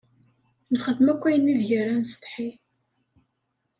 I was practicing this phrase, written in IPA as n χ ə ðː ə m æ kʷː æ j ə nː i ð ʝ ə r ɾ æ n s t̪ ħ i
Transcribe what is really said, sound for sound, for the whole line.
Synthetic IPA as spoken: n χ ə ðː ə m æ kʷː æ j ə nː i ð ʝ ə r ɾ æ n s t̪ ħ i

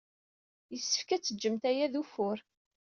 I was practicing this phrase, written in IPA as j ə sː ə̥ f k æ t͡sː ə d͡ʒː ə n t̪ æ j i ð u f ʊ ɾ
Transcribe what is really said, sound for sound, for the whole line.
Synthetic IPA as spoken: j ə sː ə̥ f k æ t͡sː ə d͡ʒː ə m t̪ æ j æ ð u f ʊ ɾ

